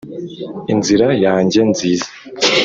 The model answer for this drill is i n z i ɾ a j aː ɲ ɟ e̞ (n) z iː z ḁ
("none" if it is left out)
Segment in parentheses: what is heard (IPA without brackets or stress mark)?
n